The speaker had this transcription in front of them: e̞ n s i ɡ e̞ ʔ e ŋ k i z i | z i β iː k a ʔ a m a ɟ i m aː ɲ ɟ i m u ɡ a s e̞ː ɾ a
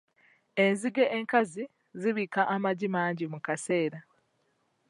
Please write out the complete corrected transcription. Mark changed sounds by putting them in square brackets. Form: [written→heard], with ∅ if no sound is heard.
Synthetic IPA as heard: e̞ n [s→z] i ɡ e̞ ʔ e ŋ k [i→a] z i | z i β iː k a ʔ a m a ɟ i m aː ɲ ɟ i m u [ɡ→k] a s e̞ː ɾ a